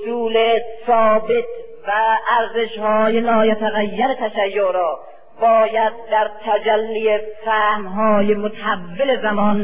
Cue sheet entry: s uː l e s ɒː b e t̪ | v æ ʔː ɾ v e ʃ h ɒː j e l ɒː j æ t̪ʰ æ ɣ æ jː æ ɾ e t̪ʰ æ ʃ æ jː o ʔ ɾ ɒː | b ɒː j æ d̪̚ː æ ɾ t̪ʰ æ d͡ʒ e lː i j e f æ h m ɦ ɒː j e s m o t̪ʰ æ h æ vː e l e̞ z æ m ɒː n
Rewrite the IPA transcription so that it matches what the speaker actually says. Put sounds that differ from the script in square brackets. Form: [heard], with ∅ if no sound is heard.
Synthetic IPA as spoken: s uː l e s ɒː b e t̪ | v æ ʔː ɾ [z] e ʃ h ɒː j e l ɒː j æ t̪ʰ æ ɣ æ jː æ ɾ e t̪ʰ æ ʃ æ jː o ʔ ɾ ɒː | b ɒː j æ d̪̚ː æ ɾ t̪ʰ æ d͡ʒ [æ] lː i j e f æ h m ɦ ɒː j e [∅] m o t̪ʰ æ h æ vː e l e̞ z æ m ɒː n